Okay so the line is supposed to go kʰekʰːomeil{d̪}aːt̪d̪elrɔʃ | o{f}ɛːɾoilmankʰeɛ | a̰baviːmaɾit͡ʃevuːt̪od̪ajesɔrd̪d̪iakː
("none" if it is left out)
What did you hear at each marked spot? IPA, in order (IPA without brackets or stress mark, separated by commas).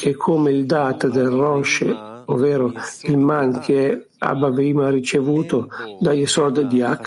d̪, v